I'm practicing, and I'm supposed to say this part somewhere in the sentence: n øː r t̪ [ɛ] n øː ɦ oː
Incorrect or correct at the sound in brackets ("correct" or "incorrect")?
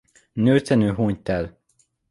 correct